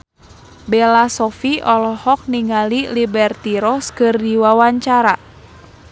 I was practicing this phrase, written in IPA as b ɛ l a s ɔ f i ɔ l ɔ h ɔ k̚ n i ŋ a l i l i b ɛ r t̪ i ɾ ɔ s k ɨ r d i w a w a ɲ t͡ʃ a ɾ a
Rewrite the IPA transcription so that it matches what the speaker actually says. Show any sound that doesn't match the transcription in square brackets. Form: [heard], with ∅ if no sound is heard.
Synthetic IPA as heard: b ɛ l a s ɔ f i ɔ l ɔ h ɔ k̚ n i ŋ a l i l i b ɛ r t̪ i ɾ ɔ s k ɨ r d i w a w a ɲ t͡ʃ a ɾ a